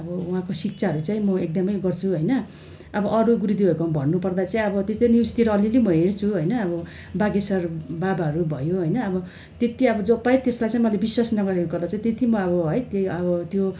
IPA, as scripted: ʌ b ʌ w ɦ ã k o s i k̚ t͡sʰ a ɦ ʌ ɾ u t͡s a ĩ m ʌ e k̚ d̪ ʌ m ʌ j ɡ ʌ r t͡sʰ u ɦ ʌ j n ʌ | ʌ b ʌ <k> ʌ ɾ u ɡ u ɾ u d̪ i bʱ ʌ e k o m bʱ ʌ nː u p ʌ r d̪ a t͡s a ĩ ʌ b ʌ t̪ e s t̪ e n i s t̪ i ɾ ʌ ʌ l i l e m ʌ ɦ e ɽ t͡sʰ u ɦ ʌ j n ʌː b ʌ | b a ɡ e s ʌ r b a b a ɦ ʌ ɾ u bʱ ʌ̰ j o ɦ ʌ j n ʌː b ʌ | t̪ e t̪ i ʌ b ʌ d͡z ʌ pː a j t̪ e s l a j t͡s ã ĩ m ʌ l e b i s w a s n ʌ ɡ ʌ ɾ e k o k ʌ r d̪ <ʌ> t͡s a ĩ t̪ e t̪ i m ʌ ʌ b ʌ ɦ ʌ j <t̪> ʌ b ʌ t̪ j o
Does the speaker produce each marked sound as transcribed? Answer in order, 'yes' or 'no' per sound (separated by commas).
no, no, yes